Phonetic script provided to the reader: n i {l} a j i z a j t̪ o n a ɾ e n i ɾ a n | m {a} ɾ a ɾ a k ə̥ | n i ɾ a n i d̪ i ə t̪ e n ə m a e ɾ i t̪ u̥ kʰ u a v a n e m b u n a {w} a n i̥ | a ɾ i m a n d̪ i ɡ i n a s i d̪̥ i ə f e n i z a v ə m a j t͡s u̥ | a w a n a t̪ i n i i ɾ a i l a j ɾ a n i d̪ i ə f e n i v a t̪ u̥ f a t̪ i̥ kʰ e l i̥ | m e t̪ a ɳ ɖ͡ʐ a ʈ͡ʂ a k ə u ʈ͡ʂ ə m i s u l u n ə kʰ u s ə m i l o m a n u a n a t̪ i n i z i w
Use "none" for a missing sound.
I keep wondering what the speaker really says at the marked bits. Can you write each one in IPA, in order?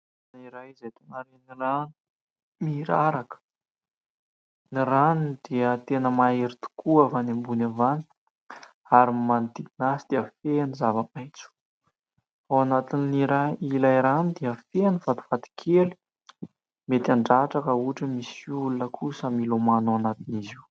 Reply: ɾ, i, v

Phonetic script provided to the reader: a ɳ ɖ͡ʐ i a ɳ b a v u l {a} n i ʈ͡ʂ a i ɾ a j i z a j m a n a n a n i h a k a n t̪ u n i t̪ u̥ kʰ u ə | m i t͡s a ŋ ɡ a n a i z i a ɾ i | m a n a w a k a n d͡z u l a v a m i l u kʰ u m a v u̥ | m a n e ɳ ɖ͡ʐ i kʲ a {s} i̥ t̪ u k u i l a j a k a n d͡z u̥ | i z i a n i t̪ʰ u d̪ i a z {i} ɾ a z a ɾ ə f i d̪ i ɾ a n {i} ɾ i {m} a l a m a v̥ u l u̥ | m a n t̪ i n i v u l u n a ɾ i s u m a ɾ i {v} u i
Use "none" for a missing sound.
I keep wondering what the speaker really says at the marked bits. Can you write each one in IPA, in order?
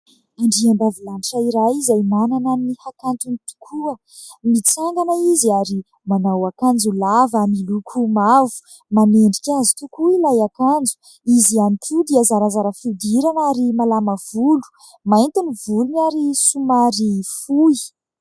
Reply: a, z, a, a, m, f

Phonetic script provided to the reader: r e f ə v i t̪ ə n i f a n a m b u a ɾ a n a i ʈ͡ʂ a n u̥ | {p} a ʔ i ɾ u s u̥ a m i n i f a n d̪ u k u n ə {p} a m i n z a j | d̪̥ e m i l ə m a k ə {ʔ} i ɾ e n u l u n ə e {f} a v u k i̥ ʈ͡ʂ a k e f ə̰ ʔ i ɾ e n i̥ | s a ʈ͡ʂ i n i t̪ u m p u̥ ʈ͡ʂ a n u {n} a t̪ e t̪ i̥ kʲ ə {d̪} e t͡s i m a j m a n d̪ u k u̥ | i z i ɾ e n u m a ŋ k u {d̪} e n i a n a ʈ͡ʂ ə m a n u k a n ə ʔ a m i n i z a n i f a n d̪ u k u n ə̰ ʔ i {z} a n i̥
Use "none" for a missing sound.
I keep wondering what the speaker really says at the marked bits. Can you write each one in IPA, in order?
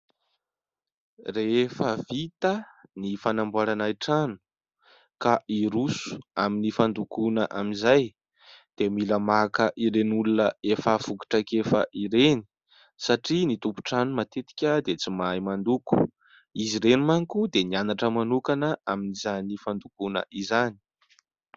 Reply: k, ʔ, ʔ, f, m, d̪, d̪, z

